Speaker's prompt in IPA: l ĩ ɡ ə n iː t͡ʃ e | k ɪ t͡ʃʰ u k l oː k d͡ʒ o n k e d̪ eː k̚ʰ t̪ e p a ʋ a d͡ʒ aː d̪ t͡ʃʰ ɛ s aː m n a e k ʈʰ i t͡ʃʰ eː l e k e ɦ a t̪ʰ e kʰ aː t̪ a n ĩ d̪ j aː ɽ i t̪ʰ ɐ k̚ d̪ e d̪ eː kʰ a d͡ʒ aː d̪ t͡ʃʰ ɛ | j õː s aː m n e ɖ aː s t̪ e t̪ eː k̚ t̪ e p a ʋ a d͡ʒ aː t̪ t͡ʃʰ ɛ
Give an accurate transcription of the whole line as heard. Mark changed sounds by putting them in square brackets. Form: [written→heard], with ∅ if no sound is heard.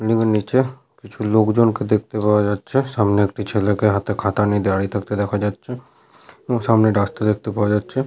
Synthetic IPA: l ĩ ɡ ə n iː t͡ʃ e | k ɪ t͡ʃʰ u [k→∅] l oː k d͡ʒ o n k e d̪ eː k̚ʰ t̪ e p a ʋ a d͡ʒ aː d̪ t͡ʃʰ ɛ s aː m n [a→e] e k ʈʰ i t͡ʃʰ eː l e k e ɦ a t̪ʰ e kʰ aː t̪ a n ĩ d̪ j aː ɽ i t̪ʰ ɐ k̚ [d̪→t̪] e d̪ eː kʰ a d͡ʒ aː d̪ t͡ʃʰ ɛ | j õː s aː m n e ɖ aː s t̪ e [t̪→d̪] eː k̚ t̪ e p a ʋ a d͡ʒ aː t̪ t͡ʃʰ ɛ

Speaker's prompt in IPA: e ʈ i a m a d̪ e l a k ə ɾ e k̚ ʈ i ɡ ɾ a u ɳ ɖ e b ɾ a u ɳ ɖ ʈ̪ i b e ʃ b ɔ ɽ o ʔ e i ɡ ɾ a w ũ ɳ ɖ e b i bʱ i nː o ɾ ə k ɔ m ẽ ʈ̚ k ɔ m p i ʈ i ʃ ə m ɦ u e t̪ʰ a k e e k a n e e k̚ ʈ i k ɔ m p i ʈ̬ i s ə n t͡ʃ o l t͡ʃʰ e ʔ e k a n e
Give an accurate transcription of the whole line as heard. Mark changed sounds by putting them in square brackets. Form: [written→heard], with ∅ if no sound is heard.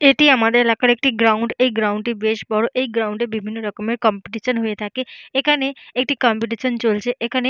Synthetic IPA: e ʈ i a m a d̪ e l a k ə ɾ e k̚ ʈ i ɡ ɾ a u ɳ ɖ e [b→ɡ] ɾ a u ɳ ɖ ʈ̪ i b e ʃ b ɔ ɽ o ʔ e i ɡ ɾ a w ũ ɳ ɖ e b i bʱ i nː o ɾ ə k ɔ m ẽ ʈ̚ k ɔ m p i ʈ i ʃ ə [m→n] ɦ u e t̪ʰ a k e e k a n e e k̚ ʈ i k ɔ m p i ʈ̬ i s ə n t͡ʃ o l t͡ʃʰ e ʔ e k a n e

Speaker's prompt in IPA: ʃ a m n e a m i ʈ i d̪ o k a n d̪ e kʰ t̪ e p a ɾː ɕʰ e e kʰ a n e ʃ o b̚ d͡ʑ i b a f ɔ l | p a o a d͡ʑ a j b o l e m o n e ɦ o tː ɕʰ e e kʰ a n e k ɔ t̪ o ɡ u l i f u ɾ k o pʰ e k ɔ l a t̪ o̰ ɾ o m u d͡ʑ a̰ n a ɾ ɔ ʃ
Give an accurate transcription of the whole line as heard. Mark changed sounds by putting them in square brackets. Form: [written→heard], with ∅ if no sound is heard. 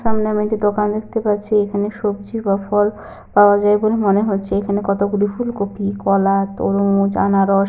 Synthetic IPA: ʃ a m n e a m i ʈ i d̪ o k a n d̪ e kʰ t̪ e p a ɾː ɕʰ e e kʰ a n e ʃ o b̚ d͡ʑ i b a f ɔ l | p a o a d͡ʑ a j b o l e m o n e ɦ o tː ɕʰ e e kʰ a n e k ɔ t̪ o ɡ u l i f u [ɾ→l] k o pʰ [e→i] k ɔ l a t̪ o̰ ɾ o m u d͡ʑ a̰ n a ɾ ɔ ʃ

